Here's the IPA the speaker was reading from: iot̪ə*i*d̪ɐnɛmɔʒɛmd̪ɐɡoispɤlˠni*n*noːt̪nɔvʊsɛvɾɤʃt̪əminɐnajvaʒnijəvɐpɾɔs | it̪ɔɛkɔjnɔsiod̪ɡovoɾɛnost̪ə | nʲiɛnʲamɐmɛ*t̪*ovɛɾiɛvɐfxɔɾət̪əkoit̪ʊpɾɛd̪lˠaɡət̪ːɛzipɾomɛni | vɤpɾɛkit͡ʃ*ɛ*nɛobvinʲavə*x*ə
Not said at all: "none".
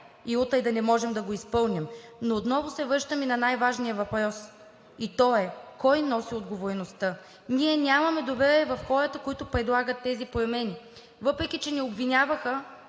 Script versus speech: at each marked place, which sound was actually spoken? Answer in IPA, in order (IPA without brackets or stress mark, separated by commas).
j, m, d̪, ɛ, x